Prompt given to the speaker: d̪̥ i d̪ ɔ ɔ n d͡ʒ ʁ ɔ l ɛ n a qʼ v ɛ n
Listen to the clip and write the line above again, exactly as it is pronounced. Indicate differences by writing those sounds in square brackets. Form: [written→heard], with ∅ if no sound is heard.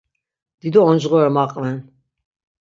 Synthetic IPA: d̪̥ i d̪ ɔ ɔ n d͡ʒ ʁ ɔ [l→ɾ] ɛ [n→m] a qʼ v ɛ n